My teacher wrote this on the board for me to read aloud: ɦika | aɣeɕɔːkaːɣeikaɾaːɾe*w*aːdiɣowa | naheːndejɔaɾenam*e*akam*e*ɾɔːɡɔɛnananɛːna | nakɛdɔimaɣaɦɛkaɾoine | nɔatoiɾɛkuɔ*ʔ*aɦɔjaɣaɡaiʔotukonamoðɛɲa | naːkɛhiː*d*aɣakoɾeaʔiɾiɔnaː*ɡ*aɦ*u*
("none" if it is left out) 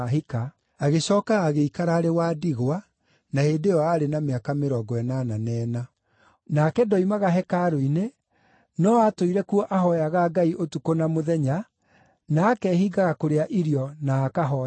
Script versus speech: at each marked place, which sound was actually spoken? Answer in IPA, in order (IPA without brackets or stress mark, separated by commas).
w, e, e, ʔ, ɡ, k, ɔ